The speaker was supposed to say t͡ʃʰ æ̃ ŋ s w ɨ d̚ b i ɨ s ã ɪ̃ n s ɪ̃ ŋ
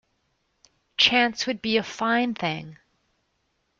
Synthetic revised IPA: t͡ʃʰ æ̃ n s w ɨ d̚ b i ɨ f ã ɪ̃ n θ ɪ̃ ŋ

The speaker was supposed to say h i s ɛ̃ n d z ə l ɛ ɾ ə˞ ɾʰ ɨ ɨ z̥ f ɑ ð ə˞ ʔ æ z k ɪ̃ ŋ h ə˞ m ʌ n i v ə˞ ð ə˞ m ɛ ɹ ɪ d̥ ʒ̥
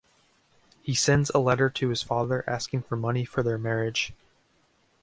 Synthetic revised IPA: h i s ɛ̃ n d z ə l ɛ ɾ ə˞ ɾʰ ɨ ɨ z̥ f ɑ ð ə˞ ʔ æ s k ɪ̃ ŋ f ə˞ m ʌ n i f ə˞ ð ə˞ m ɛ ɹ ɪ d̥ ʒ̥

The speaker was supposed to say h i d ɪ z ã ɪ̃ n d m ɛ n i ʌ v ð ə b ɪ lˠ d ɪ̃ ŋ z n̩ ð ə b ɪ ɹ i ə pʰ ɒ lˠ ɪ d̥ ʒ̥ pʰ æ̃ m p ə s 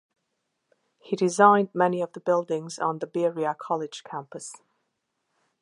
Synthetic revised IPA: h i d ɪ z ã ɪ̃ n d m ɛ n i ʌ v ð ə b ɪ lˠ d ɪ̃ ŋ z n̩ ð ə b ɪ ɹ i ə kʰ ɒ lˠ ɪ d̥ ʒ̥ kʰ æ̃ m p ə s

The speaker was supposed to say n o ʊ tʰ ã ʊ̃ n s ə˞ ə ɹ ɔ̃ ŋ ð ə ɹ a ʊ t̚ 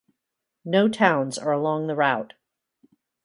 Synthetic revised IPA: n o ʊ tʰ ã ʊ̃ n z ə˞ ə l ɔ̃ ŋ ð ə ɹ a ʊ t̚

